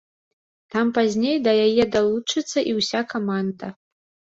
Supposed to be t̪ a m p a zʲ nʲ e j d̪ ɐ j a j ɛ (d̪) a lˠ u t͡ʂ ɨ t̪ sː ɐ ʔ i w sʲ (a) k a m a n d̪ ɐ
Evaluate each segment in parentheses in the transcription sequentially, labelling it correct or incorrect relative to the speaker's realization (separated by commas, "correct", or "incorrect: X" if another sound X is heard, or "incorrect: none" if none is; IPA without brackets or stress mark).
correct, correct